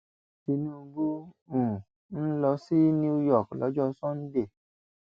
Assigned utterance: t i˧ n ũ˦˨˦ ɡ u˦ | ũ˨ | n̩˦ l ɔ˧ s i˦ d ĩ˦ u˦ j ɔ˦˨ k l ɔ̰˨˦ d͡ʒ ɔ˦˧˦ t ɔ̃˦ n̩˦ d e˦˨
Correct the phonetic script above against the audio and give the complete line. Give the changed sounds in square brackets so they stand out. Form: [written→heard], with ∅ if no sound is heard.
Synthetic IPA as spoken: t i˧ n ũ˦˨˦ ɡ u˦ | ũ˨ | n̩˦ l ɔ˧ s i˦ [d→n] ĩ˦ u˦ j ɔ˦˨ k l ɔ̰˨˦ d͡ʒ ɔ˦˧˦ [t→s] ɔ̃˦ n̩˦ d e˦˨